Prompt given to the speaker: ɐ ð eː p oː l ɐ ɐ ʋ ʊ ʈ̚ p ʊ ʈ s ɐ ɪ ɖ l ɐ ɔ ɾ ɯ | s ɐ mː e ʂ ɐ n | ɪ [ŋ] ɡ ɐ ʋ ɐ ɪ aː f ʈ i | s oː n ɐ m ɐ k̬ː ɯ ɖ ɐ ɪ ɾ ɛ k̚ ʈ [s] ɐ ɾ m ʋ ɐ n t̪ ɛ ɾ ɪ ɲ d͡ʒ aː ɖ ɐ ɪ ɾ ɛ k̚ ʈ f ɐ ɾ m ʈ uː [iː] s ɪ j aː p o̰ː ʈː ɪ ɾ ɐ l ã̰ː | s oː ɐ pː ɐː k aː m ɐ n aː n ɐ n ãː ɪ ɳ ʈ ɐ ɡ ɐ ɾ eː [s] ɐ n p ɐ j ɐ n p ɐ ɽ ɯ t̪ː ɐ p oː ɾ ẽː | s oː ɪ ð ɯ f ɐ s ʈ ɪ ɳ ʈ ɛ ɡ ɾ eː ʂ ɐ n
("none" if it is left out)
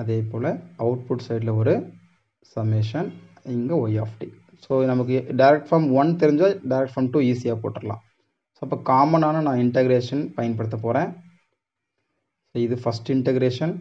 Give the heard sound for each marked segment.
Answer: ŋ, f, iː, ʂ

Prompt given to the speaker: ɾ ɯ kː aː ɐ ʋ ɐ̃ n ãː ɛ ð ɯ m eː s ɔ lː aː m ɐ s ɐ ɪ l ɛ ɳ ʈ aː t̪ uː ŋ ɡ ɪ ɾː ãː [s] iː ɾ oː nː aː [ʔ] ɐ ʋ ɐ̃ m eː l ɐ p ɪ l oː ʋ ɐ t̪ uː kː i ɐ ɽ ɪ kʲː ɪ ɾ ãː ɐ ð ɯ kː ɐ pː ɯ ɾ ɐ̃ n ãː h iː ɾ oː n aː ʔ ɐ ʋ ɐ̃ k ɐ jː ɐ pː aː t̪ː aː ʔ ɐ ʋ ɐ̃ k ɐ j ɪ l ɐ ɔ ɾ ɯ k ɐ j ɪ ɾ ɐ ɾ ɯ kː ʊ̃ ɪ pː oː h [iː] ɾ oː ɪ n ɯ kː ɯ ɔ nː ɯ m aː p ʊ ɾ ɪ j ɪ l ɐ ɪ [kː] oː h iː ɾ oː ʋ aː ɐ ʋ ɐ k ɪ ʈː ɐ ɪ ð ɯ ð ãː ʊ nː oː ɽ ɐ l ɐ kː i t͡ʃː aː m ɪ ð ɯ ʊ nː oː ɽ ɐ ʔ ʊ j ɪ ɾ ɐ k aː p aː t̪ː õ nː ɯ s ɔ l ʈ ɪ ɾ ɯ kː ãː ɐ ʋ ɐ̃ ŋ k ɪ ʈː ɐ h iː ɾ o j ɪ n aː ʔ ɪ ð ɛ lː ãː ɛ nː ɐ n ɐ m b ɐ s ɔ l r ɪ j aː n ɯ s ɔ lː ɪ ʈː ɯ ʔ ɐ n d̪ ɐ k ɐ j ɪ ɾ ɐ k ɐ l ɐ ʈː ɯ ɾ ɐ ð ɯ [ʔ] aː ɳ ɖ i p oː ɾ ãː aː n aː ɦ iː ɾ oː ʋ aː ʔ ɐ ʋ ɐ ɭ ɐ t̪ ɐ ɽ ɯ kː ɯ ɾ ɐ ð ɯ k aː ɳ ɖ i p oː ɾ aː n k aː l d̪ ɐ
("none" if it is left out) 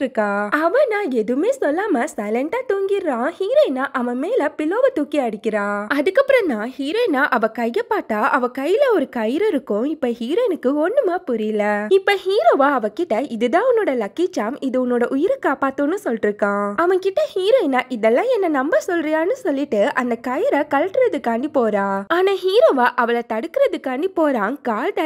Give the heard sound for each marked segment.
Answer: h, ʔ, iː, pː, k

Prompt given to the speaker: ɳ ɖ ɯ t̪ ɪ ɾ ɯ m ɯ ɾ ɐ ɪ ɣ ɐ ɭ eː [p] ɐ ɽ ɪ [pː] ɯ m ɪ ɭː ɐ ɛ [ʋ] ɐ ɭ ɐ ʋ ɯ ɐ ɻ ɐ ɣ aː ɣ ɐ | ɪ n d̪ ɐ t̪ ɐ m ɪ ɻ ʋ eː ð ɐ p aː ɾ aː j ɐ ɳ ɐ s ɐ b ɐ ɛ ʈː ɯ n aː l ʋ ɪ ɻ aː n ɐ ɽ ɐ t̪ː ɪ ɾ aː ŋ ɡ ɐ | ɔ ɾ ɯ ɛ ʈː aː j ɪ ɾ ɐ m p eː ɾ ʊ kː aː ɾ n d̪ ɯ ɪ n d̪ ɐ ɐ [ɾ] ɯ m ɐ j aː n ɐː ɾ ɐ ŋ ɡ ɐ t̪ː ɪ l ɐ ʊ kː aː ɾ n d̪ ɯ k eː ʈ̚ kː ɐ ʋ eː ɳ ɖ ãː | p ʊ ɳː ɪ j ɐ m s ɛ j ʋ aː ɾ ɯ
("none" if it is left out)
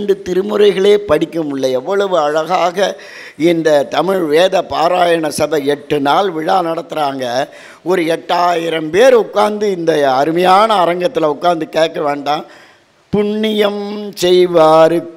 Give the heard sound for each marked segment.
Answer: p, kː, ʋː, ɾ

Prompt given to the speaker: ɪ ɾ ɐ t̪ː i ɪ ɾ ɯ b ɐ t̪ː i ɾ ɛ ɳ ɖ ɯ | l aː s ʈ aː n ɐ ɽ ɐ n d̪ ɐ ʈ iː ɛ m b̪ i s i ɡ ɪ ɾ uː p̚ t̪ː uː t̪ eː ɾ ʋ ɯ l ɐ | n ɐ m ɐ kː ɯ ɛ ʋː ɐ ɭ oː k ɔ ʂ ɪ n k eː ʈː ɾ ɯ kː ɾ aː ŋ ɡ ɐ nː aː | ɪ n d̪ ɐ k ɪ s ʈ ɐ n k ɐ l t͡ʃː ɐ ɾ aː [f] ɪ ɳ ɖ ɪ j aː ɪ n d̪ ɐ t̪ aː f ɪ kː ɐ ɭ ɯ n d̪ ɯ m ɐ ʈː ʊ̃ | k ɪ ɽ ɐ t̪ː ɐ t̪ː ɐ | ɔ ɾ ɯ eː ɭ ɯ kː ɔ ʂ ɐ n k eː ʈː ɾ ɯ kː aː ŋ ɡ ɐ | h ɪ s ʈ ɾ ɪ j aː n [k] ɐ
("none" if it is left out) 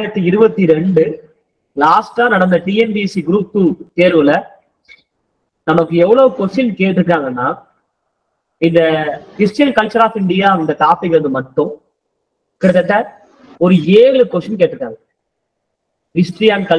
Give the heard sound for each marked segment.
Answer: f, k

